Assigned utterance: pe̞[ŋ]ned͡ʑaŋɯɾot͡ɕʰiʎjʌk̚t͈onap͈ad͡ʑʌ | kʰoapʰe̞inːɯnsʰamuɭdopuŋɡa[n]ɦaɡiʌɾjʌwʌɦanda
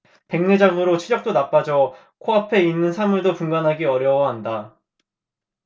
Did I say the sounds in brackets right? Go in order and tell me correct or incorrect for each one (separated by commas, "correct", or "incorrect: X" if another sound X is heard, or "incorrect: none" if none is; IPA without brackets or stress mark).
correct, correct